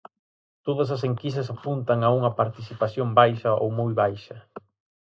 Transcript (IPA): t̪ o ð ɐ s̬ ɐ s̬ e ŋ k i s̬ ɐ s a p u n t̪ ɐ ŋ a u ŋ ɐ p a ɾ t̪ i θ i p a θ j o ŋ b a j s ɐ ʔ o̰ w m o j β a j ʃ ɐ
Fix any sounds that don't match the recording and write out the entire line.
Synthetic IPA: t̪ o ð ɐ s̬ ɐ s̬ e ŋ k i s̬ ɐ s a p u n t̪ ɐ ŋ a u ŋ ɐ p a ɾ t̪ i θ i p a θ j o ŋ b a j ʃ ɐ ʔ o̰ w m o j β a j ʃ ɐ